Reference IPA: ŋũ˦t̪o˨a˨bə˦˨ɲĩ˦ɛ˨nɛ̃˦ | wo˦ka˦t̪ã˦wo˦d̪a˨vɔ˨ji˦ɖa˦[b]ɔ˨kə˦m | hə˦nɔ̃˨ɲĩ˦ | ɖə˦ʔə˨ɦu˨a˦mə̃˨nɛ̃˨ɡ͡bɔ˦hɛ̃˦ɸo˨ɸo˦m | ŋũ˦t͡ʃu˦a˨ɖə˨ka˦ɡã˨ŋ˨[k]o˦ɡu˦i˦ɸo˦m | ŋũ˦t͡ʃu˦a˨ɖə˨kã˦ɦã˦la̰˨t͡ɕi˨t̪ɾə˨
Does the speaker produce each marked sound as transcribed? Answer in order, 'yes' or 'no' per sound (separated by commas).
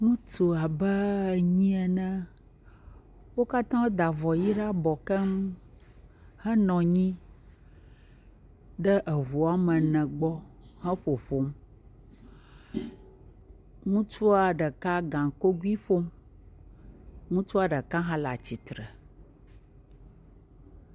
yes, yes